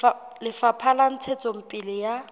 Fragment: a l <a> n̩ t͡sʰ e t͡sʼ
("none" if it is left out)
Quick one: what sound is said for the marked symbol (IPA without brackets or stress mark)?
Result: a